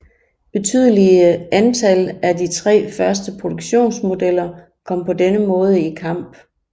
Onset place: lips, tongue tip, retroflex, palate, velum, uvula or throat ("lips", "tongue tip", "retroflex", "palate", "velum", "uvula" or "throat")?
lips